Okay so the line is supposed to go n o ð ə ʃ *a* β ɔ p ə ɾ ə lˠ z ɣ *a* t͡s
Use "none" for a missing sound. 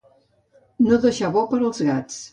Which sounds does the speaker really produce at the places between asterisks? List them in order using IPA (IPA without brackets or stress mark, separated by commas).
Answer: a, a